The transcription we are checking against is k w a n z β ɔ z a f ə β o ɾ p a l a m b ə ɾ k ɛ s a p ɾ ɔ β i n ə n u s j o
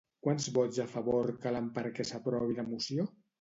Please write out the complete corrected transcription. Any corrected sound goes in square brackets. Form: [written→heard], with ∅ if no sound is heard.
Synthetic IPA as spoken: k w a n z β ɔ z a f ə β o ɾ [p→k] a l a m [b→p] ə ɾ k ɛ s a p ɾ ɔ β i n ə [n→m] u s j o